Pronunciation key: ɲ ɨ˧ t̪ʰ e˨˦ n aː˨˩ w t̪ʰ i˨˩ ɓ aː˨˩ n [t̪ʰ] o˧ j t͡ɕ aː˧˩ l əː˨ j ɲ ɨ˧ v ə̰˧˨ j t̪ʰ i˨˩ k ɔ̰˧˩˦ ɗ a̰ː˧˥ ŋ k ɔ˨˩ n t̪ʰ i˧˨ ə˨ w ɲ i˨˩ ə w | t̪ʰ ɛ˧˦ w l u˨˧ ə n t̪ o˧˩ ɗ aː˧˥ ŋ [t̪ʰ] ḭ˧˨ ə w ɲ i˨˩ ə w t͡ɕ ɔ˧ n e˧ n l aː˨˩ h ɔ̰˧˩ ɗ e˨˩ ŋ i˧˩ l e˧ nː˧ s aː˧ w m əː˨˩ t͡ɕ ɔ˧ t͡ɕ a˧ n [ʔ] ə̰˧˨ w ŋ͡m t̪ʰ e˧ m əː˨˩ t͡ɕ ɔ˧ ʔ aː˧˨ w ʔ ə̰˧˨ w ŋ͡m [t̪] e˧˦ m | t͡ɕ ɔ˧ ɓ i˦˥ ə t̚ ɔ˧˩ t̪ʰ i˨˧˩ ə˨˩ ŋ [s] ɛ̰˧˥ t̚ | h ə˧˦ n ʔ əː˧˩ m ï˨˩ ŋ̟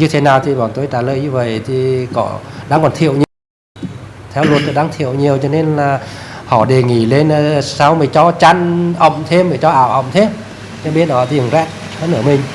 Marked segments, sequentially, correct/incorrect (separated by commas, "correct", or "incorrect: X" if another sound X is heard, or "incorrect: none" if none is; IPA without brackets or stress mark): incorrect: t̪, correct, correct, incorrect: t̪ʰ, incorrect: z